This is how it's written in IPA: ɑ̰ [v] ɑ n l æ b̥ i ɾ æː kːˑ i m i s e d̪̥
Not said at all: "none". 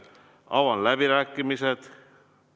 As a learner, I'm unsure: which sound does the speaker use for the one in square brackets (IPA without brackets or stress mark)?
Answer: w